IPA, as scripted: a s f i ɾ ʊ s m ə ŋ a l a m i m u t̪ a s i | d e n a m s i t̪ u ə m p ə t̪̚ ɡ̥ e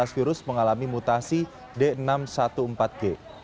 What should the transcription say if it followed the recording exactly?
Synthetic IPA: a s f i ɾ ʊ s m ə ŋ a l a m i m u t̪ a s i | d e n a m s a t̪ u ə m p a t̪̚ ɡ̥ e